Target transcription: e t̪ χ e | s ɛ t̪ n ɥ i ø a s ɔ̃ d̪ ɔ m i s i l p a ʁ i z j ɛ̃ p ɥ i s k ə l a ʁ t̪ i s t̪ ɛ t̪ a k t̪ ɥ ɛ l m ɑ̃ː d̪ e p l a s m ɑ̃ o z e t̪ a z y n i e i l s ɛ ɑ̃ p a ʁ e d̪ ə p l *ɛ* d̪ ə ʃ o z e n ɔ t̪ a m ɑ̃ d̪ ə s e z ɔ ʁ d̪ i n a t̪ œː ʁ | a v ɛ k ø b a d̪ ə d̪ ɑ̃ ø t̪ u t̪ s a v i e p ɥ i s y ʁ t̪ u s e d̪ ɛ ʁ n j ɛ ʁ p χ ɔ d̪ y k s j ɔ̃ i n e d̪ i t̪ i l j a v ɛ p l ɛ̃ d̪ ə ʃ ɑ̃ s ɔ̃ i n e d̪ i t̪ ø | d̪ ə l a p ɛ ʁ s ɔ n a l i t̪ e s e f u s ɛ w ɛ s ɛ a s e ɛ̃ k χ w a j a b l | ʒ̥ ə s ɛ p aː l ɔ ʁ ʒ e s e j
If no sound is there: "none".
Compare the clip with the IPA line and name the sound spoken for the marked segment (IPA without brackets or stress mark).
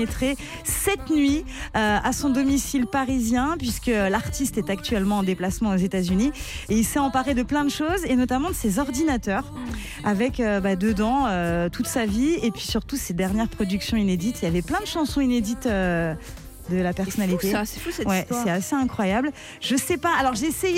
ɛ̃